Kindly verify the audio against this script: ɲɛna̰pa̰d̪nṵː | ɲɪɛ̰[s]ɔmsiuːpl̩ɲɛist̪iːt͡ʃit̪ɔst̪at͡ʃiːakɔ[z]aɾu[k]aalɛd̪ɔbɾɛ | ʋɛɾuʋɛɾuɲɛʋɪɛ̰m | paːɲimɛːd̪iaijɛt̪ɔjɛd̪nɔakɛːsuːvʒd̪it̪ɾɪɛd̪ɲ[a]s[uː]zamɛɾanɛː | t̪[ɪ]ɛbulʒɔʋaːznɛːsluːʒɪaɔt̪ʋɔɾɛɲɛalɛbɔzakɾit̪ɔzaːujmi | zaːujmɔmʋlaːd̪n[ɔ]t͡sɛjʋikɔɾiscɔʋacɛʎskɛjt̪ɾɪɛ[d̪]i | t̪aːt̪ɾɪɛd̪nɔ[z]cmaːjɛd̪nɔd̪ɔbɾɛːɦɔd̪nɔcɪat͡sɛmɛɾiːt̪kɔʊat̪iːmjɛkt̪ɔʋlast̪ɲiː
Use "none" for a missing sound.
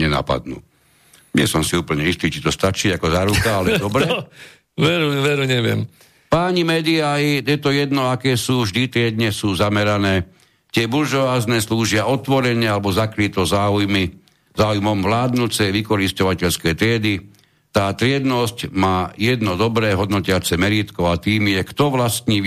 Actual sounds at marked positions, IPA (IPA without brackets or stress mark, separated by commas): s, z, k, ɛ, uː, ɪ, u, d̪, s